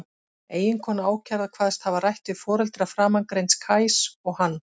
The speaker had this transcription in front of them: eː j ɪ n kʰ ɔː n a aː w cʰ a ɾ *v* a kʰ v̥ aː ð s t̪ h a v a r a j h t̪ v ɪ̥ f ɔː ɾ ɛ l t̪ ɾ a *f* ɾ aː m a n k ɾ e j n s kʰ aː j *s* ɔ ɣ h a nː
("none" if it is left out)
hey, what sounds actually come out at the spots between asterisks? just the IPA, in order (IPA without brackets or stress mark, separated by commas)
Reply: ð, f, s